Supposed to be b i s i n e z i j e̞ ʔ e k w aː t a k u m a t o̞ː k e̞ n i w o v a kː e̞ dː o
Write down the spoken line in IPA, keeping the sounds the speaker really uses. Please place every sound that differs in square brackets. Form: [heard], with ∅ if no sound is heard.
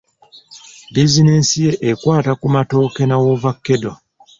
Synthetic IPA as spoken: b i [z] i n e [s] i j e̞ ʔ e k w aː t a k u m a t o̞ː k e̞ n [a] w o v a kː e̞ [d] o